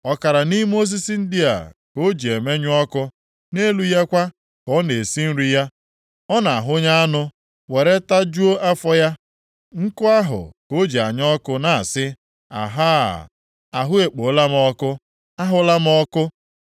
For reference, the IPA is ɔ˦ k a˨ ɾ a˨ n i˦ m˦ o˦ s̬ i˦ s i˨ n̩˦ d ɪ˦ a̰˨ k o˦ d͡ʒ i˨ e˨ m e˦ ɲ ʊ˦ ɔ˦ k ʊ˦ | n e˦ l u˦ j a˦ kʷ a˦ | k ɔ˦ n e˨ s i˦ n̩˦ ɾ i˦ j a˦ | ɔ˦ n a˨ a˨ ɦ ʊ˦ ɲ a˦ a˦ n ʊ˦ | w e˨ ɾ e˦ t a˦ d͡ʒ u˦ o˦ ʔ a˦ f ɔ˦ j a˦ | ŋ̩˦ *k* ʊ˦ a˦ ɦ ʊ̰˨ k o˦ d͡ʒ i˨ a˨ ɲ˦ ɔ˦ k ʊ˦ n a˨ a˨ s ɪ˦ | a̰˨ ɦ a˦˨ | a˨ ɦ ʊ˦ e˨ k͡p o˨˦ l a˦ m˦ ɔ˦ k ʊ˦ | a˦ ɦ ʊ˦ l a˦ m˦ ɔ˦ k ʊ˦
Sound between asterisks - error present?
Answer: no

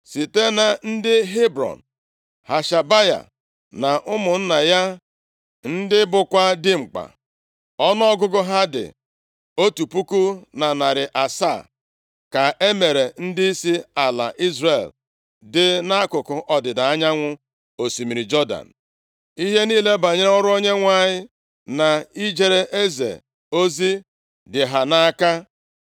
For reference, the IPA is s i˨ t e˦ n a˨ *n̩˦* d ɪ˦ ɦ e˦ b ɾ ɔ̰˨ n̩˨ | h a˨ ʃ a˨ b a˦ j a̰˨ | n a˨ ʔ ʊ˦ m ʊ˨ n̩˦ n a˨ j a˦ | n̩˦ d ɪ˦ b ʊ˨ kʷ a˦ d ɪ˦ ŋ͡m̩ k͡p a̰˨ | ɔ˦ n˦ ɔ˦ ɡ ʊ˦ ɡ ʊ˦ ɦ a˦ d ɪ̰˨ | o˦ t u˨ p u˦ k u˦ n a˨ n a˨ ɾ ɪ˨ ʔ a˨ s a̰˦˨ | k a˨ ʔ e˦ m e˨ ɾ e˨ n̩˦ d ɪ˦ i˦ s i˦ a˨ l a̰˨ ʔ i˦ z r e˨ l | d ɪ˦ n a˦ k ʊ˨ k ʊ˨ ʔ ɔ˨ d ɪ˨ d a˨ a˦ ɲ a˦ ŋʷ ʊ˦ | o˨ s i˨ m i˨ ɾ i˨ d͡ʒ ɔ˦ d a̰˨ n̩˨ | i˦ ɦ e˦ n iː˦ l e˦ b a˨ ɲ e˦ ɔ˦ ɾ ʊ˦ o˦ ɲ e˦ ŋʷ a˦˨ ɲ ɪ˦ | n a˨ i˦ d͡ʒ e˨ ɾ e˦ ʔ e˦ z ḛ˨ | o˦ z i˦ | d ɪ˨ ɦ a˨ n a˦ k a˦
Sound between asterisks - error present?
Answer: no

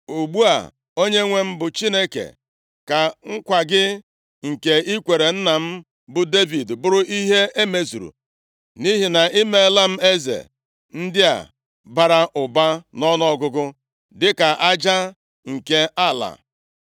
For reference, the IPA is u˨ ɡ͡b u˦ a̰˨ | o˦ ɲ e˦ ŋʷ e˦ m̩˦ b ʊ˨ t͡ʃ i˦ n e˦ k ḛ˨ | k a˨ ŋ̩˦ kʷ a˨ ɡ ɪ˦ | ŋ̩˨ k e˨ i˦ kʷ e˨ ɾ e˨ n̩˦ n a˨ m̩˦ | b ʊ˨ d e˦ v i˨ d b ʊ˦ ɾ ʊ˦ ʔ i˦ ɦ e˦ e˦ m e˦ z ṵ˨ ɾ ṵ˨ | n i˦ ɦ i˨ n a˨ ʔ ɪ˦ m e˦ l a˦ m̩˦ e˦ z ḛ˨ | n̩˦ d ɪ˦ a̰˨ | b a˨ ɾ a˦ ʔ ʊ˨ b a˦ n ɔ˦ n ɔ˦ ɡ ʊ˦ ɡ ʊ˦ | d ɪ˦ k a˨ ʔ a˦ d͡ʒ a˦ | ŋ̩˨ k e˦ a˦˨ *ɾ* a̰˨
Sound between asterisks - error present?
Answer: yes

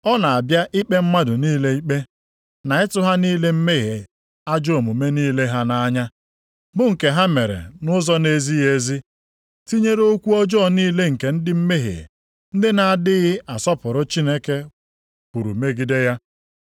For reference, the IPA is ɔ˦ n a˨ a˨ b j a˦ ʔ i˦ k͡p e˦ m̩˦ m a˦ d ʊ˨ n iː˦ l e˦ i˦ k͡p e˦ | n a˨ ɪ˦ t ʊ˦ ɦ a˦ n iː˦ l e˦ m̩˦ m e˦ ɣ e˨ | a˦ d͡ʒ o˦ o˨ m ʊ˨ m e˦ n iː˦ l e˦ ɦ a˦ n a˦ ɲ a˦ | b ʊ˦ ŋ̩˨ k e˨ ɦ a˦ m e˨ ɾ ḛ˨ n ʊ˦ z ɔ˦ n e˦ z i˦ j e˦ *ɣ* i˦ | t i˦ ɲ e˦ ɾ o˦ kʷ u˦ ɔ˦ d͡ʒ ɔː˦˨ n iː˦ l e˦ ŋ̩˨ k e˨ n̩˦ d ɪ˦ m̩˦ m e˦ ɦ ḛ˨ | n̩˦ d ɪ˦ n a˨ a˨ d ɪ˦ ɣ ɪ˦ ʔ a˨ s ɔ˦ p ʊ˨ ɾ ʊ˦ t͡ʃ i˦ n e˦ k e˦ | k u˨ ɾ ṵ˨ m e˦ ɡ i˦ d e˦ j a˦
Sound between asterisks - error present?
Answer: yes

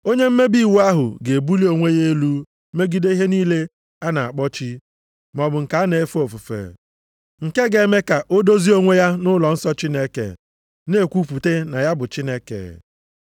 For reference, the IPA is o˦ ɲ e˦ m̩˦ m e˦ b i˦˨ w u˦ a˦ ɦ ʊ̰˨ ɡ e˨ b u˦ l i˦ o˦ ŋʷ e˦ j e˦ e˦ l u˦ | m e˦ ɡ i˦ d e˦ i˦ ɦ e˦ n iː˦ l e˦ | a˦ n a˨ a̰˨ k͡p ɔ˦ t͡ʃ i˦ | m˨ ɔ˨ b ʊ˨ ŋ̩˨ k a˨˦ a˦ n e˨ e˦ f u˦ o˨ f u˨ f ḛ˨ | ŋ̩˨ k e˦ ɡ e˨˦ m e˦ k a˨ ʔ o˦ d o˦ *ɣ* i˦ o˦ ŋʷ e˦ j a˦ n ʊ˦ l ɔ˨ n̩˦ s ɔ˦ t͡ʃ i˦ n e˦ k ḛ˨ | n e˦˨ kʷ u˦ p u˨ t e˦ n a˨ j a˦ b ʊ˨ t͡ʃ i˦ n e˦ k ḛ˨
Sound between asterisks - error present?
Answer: yes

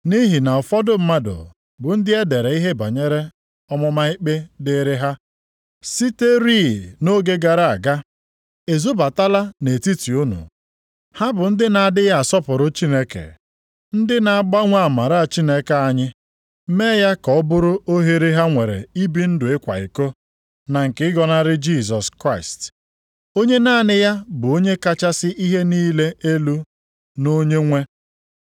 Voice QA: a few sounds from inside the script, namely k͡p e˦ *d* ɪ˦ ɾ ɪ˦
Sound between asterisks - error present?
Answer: no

